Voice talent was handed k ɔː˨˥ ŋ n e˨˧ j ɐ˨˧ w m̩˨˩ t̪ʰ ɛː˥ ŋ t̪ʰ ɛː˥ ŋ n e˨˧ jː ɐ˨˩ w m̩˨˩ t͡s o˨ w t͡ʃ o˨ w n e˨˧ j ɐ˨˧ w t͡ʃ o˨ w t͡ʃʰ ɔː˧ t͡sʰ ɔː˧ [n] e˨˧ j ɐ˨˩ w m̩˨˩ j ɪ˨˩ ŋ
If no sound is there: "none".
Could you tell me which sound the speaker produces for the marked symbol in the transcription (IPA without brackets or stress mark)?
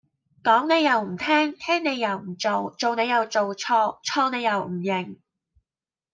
n